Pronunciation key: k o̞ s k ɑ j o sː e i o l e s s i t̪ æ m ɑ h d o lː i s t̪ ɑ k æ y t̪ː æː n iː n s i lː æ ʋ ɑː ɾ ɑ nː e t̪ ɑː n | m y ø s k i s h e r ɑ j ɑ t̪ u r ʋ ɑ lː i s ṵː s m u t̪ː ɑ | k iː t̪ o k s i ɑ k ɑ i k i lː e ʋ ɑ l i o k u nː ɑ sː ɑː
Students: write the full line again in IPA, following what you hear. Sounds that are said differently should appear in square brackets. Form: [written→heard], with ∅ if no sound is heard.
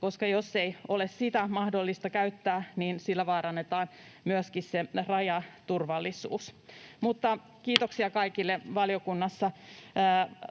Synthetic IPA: k o̞ s k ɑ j o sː e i o l e s s i t̪ æ m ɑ h d o lː i s t̪ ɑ k æ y t̪ː æː n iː n s i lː æ ʋ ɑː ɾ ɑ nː e t̪ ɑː n | m y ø s k i s [h→s] e r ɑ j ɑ t̪ u r ʋ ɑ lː i s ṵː s m u t̪ː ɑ | k iː t̪ o k s i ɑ k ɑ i k i lː e ʋ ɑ l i o k u nː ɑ sː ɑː